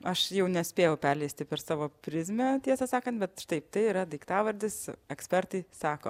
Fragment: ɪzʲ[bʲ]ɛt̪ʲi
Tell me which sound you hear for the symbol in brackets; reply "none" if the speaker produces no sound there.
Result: mʲ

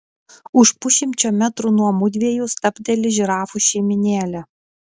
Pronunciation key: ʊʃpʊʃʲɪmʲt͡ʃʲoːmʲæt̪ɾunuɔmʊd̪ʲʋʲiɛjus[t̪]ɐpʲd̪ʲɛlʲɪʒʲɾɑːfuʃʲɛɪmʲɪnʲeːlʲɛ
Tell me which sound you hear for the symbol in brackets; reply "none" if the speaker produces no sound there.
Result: t̪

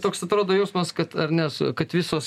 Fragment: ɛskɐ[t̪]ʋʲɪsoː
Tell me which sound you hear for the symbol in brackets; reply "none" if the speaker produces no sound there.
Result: t̪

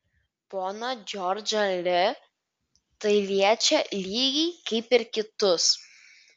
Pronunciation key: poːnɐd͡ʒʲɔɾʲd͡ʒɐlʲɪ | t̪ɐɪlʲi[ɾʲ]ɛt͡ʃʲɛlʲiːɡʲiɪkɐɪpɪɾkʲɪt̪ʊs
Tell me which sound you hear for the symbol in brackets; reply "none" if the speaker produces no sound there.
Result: none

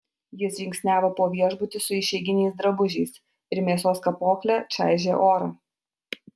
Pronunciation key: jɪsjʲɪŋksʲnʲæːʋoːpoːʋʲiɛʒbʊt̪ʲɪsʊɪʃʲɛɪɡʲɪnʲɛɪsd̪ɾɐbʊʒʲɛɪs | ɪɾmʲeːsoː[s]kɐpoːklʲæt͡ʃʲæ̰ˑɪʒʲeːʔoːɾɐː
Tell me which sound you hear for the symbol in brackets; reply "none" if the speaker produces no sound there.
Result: s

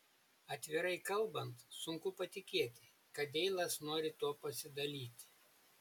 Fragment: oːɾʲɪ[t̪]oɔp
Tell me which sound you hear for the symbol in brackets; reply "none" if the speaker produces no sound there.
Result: t̪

